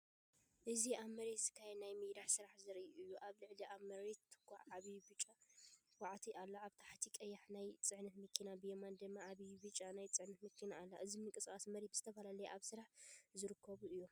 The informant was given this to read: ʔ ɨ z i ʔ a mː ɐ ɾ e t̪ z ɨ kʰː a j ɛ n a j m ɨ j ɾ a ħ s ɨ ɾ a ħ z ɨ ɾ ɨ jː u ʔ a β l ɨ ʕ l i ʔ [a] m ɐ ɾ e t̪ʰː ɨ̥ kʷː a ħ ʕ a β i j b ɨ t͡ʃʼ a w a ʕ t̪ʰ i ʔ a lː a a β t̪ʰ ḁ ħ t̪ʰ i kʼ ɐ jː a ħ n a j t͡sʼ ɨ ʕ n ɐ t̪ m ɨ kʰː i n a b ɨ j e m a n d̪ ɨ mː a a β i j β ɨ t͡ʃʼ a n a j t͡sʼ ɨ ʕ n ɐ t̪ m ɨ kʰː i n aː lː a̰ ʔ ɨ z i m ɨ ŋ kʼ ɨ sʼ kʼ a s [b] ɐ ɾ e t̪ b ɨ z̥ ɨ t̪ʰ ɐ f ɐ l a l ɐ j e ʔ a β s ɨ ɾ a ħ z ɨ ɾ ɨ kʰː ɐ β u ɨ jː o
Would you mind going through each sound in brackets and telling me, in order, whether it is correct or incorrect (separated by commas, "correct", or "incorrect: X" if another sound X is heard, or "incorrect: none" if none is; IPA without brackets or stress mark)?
correct, incorrect: m